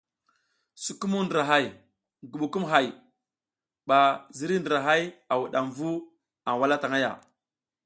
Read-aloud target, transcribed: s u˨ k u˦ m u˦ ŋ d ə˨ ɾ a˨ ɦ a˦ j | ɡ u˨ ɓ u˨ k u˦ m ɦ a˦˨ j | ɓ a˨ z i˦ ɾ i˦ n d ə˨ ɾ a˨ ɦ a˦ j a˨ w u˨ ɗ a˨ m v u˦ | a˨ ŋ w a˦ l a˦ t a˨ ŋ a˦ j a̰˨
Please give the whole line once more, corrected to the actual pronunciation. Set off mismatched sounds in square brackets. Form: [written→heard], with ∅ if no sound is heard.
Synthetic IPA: s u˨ k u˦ m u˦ [ŋ→n] d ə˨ ɾ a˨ ɦ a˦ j | ɡ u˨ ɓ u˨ k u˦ m ɦ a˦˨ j | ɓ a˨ z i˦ ɾ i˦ n d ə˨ ɾ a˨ ɦ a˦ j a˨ w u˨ ɗ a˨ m v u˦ | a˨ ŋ w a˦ l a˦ t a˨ ŋ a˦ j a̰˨